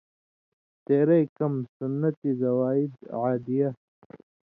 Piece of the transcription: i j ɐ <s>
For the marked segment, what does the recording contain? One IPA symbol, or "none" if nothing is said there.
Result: none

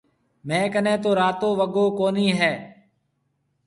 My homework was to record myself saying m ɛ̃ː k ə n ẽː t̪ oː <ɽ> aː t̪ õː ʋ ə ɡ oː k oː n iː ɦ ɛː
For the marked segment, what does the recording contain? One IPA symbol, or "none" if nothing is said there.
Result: ɾ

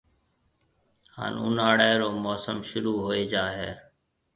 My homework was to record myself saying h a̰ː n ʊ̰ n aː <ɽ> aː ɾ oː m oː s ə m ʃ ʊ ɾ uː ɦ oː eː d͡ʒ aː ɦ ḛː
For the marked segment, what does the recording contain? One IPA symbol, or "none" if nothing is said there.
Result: ɽ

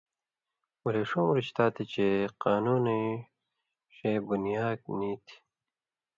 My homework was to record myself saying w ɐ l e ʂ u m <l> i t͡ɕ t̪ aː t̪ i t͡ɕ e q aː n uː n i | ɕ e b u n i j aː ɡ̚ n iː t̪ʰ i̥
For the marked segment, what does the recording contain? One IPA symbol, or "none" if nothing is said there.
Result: ɾ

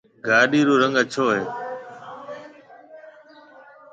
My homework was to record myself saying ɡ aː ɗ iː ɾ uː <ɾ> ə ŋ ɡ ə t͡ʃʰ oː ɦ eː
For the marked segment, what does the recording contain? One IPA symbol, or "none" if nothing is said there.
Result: ɾ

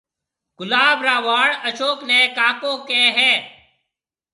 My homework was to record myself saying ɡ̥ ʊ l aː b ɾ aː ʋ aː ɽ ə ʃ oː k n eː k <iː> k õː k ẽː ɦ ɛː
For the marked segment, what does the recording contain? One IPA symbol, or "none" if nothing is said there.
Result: aː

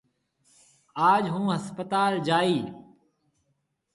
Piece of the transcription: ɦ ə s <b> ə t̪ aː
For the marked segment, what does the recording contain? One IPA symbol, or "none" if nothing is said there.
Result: p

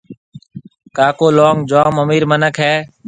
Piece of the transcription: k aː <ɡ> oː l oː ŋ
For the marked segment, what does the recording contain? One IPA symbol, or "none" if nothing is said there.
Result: k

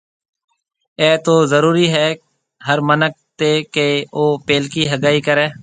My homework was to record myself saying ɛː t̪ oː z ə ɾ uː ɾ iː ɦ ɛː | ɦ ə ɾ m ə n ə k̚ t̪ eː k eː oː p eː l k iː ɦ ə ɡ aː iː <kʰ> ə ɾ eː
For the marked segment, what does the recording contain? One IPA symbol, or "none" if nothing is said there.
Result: k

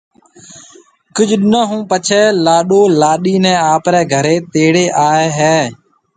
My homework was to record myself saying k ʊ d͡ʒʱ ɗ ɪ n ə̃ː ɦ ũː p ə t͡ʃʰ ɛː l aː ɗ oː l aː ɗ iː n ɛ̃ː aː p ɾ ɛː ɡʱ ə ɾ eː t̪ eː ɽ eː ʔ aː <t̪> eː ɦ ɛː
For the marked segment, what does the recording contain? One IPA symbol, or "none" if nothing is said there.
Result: none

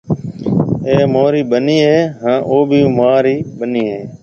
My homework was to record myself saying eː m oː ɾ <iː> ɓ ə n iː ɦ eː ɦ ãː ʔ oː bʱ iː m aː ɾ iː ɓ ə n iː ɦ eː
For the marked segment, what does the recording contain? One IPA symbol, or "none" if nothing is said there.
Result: iː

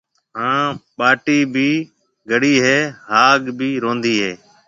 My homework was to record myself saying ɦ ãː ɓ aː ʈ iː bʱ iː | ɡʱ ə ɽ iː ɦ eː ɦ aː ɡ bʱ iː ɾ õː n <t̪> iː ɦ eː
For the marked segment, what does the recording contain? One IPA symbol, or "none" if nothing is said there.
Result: d̪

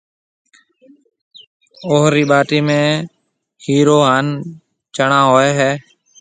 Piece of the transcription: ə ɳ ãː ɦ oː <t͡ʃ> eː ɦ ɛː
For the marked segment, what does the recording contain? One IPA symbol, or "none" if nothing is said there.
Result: none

